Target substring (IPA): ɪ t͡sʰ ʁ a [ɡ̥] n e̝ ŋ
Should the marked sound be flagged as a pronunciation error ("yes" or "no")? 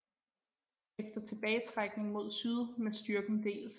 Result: no